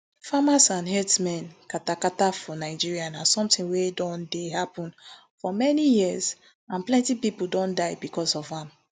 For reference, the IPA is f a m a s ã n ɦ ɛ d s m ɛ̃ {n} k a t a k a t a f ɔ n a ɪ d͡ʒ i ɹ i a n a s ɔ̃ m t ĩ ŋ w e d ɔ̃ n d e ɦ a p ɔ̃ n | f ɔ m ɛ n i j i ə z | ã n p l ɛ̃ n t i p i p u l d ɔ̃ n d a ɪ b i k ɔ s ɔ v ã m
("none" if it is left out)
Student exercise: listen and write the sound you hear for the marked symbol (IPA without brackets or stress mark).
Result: n